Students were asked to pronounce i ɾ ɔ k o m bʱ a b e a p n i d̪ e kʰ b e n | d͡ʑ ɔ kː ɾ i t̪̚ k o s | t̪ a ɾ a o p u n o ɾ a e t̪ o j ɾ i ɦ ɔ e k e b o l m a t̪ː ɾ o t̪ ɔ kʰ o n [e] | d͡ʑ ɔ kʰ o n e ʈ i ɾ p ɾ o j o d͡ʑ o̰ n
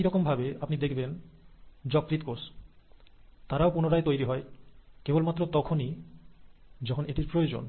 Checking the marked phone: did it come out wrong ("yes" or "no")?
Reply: yes